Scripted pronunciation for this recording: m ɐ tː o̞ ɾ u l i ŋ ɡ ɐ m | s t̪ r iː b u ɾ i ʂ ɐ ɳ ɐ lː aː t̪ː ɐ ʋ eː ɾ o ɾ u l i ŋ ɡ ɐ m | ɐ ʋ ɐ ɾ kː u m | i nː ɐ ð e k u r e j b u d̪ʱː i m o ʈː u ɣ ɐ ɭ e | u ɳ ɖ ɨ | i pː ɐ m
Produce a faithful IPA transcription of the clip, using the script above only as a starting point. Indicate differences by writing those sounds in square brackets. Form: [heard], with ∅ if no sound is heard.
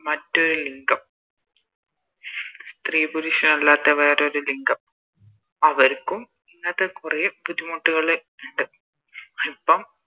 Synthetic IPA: m ɐ tː o̞ ɾ u l i ŋ ɡ ɐ m | s t̪ r iː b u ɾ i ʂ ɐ [n] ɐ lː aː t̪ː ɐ ʋ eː ɾ o ɾ u l i ŋ ɡ ɐ m | ɐ ʋ ɐ ɾ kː u m | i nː ɐ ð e k u r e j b u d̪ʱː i m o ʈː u ɣ ɐ ɭ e | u ɳ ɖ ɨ | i pː ɐ m